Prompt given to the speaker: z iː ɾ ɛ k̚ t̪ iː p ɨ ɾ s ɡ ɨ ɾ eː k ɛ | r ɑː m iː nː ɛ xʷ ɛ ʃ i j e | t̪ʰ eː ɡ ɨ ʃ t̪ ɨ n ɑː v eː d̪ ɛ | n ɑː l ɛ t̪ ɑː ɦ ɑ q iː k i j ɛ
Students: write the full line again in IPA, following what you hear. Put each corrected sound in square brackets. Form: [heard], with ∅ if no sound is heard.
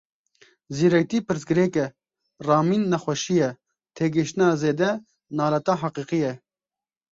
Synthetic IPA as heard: z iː ɾ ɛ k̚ t̪ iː p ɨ ɾ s ɡ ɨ ɾ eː k ɛ | r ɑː m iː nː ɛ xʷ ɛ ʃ i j [ɛ] | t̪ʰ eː ɡ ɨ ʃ t̪ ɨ n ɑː [z] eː d̪ ɛ | n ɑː l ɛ t̪ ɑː ɦ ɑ q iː [q] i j ɛ

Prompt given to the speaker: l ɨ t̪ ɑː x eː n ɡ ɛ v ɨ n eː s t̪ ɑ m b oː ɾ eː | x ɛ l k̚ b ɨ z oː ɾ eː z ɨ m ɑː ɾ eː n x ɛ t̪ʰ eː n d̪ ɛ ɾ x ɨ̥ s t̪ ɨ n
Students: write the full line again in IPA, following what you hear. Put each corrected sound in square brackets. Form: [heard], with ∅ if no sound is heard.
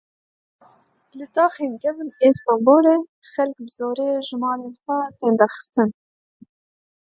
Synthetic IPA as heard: l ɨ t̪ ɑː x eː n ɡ ɛ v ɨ n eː s t̪ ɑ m b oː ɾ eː | x ɛ l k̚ b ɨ z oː ɾ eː [ʒ] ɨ m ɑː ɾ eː n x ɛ [t̪] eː n d̪ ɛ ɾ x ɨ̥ s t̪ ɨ n

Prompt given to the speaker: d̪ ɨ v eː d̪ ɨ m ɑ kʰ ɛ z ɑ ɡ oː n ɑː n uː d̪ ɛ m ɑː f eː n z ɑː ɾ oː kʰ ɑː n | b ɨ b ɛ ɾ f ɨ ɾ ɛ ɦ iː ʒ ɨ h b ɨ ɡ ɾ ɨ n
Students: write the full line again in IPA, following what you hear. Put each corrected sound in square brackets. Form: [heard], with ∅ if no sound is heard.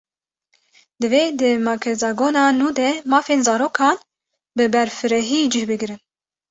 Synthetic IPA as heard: d̪ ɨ v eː d̪ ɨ m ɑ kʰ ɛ z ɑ ɡ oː n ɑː n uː d̪ ɛ m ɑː f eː n z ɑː ɾ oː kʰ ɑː n | b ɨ b ɛ ɾ f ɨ ɾ ɛ ɦ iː [d͡ʒ] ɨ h b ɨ ɡ ɾ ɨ n

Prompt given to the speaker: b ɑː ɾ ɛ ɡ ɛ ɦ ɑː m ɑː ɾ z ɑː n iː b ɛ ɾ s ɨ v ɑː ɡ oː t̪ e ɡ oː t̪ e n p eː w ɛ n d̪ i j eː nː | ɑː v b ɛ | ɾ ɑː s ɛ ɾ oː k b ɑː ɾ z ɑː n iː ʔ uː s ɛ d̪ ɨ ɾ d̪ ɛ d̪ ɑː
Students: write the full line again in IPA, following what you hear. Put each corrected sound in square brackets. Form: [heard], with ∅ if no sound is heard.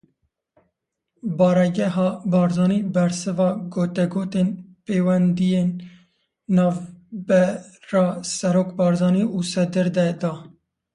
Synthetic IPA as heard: b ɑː ɾ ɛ ɡ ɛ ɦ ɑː [b] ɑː ɾ z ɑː n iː b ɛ ɾ s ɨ v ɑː ɡ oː t̪ [ɛ] ɡ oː t̪ e n p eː w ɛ n d̪ i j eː nː | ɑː v b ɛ | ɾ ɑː s ɛ ɾ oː k b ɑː ɾ z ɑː n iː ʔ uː s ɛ d̪ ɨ ɾ d̪ ɛ d̪ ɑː

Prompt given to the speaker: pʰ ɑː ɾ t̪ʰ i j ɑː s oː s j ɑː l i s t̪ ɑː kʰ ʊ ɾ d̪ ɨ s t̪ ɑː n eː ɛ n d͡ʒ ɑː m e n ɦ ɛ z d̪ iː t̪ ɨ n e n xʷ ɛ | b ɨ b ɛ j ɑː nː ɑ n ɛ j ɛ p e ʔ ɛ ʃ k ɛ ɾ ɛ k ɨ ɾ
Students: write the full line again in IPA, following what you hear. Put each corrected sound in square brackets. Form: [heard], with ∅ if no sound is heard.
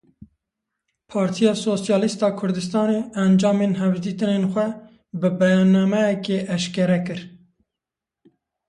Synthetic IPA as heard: pʰ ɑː ɾ t̪ʰ i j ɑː s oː s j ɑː l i s t̪ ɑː kʰ ʊ ɾ d̪ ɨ s t̪ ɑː n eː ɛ n d͡ʒ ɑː m e n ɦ ɛ [v] d̪ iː t̪ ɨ n e n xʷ ɛ | b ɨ b ɛ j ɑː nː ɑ [m] ɛ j ɛ [k] e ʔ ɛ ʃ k ɛ ɾ ɛ k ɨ ɾ

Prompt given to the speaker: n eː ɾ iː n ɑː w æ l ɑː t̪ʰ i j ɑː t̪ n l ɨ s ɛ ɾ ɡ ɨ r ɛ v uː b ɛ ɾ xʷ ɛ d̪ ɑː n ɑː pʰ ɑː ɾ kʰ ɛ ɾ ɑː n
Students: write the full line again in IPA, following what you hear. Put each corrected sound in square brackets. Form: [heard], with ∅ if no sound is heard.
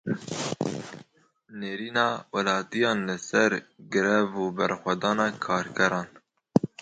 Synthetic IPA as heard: n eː ɾ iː n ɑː w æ l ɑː [t̪] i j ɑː [∅] n l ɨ s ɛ ɾ ɡ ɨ [ɾ] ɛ v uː b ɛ ɾ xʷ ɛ d̪ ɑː n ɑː [kʰ] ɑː ɾ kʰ ɛ ɾ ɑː n

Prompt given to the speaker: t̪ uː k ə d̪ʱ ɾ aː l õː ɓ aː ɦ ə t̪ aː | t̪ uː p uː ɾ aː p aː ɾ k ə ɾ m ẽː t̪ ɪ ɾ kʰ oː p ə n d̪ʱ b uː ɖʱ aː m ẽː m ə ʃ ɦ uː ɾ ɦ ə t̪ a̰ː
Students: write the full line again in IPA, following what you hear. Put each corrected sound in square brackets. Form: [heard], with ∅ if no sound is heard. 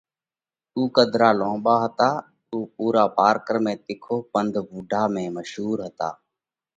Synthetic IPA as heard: t̪ uː k ə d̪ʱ ɾ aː l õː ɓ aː ɦ ə t̪ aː | t̪ uː p uː ɾ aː p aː ɾ k ə ɾ m ẽː t̪ ɪ [∅] kʰ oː p ə n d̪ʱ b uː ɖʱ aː m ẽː m ə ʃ ɦ uː ɾ ɦ ə t̪ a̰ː

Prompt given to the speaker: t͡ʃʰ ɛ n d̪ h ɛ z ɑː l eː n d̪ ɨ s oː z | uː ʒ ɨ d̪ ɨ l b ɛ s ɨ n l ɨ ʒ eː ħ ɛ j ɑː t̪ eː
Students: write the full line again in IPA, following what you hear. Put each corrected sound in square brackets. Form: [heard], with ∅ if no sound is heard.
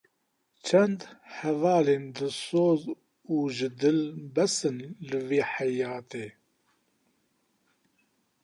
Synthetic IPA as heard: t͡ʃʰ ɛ n d̪ h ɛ [v] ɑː l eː n d̪ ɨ s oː z | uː ʒ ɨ d̪ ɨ l b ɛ s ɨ n l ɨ [v] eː ħ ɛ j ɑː t̪ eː

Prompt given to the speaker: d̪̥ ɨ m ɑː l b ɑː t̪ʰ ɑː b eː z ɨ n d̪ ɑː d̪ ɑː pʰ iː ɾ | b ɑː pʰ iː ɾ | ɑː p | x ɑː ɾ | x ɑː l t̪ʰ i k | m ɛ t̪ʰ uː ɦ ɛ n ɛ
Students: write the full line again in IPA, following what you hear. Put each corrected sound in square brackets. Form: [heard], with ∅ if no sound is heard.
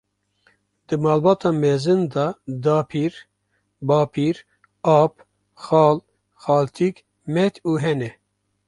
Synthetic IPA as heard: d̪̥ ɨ m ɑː l b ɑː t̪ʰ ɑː [m] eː z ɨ n d̪ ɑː d̪ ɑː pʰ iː ɾ | b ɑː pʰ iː ɾ | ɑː p | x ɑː [l] | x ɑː l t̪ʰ i k | m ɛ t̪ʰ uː ɦ ɛ n ɛ

